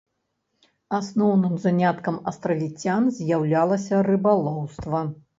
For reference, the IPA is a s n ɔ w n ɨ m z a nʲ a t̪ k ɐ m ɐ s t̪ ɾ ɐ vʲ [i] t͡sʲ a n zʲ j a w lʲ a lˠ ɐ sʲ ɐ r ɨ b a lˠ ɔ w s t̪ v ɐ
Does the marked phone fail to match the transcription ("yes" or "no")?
no